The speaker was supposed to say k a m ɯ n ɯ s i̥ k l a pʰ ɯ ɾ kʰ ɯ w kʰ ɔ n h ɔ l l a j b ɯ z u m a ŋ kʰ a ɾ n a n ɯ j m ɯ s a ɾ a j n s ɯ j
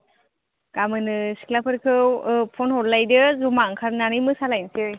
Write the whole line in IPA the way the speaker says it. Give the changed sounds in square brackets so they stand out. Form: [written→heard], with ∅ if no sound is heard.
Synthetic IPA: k a m ɯ n ɯ s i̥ k l a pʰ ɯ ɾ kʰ ɯ w [kʰ→pʰ] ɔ n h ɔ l l a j [b→d] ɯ z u m a ŋ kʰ a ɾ n a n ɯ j m ɯ s a [ɾ→l] a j n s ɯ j